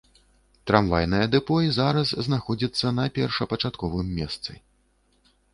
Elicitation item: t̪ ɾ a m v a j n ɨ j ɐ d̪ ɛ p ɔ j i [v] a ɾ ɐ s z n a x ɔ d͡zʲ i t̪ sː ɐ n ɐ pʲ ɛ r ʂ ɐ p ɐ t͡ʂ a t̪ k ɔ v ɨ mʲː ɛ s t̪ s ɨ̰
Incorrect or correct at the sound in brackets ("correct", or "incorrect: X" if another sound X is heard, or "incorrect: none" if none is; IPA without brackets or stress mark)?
incorrect: z